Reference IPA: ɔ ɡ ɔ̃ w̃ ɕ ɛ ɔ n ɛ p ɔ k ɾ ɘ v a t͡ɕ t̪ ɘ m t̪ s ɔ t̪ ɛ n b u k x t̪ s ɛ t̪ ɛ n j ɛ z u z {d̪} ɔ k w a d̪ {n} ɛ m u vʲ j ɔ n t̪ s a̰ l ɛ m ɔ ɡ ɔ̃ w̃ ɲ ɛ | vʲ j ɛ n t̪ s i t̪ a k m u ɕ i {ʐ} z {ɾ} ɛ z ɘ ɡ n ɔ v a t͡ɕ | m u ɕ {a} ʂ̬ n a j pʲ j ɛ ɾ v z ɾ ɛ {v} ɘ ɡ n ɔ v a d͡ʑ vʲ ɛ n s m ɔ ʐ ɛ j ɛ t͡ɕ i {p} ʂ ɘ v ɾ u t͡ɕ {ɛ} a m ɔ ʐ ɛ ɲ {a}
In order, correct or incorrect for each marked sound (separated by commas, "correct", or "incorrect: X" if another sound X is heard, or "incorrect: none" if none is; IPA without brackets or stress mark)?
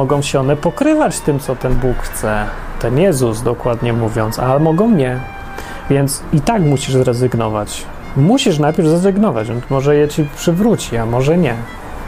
correct, incorrect: ɲ, correct, correct, incorrect: i, incorrect: z, correct, incorrect: i, incorrect: ɛ